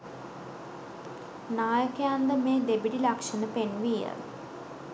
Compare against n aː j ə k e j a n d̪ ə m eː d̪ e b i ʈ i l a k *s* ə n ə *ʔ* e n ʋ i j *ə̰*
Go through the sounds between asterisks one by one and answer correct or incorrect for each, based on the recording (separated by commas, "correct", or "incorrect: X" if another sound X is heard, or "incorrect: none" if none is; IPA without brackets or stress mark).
incorrect: ʂ, incorrect: p, correct